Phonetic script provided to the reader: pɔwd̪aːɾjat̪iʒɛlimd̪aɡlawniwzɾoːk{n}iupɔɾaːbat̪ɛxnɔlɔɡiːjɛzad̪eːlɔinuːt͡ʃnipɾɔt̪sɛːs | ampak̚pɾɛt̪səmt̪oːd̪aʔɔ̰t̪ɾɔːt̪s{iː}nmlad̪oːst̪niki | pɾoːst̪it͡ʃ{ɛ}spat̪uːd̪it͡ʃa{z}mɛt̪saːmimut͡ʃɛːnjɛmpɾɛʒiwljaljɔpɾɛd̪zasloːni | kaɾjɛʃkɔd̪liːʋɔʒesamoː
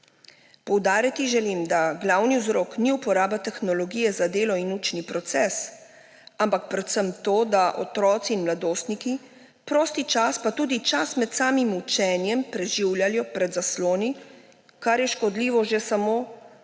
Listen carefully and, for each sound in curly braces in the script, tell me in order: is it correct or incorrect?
correct, correct, incorrect: a, incorrect: s

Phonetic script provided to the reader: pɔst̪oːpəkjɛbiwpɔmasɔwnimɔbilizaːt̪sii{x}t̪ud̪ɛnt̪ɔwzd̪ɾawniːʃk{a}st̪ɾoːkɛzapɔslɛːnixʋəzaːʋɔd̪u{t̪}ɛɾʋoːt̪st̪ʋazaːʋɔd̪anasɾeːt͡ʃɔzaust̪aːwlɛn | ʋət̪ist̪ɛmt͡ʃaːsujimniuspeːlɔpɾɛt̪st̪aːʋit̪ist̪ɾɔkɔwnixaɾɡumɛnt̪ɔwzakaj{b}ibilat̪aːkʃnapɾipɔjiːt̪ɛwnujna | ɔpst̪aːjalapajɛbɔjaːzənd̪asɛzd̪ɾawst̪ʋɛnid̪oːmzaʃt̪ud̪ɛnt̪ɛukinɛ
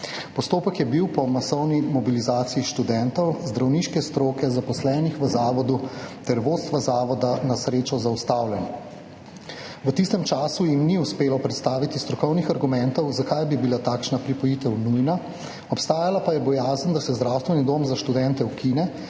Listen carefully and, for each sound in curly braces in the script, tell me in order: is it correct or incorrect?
incorrect: ʃ, incorrect: ɛ, correct, correct

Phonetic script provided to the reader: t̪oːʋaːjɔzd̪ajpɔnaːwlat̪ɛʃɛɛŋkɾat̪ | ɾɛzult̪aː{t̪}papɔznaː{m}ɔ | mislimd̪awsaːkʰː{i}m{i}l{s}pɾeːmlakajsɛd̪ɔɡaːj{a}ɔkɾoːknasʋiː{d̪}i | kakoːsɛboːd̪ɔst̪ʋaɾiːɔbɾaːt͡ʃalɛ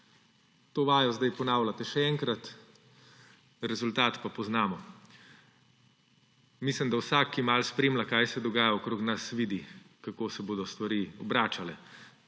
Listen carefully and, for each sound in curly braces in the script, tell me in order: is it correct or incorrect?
correct, correct, correct, incorrect: a, correct, correct, correct

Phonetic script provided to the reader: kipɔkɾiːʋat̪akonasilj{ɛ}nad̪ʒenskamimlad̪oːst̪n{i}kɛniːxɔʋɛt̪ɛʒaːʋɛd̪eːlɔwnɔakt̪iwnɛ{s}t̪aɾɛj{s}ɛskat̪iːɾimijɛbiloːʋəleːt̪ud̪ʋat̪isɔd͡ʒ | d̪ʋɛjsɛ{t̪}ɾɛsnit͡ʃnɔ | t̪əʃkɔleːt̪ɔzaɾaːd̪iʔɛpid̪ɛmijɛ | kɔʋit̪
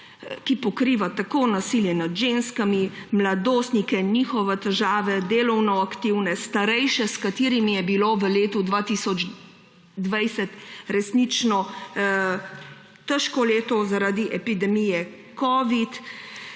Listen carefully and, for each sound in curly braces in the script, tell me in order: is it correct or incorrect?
correct, correct, correct, incorrect: ʃ, correct

